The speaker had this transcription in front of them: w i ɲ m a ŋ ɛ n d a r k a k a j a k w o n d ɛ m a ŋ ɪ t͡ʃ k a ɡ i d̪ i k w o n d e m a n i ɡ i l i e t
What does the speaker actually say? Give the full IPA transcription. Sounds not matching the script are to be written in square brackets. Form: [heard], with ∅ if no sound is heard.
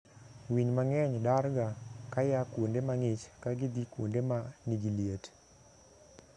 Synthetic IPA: w i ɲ m a ŋ ɛ [ɲ] d a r [ɡ] a k a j a k w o n d [e] m a ŋ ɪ t͡ʃ k a ɡ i d̪ i k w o n d e m a n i ɡ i l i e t